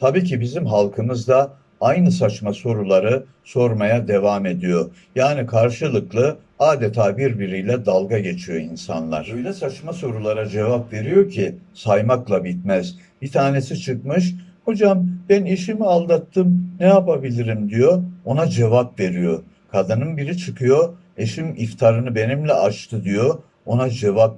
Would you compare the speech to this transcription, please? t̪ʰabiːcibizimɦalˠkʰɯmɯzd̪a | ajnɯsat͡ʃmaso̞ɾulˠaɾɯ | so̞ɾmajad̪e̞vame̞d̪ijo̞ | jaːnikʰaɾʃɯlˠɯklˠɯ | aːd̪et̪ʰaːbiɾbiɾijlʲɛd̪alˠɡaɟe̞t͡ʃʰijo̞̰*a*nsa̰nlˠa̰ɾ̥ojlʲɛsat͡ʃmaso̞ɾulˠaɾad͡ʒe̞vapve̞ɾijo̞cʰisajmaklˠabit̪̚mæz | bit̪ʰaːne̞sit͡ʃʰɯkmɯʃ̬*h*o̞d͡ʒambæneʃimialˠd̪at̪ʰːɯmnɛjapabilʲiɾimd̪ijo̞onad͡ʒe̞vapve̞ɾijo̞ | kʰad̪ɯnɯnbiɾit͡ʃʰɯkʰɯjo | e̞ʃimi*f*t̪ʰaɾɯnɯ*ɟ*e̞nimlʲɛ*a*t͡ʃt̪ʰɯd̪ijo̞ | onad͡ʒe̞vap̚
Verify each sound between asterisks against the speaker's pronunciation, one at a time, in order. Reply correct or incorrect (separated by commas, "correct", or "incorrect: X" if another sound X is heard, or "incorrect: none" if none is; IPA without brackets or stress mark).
incorrect: i, correct, correct, incorrect: b, correct